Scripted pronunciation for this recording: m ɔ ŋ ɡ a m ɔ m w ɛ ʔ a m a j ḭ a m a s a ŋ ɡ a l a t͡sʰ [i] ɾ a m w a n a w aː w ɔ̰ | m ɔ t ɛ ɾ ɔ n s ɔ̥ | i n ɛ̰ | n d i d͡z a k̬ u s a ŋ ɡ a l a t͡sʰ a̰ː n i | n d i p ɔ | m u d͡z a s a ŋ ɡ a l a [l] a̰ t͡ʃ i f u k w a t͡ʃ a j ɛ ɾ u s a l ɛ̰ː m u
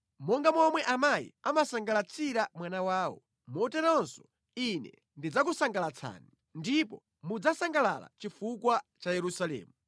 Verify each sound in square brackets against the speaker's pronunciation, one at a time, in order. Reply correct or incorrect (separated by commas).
correct, correct